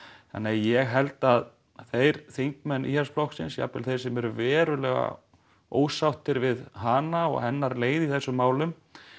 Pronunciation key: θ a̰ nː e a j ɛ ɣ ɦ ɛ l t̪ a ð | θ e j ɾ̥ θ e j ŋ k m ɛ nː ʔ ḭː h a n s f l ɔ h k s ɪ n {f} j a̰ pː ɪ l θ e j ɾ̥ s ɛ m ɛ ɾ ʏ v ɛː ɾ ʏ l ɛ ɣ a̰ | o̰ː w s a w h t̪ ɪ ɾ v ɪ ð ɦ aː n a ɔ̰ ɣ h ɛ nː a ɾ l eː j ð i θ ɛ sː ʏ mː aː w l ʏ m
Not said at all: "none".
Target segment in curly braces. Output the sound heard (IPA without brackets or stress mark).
s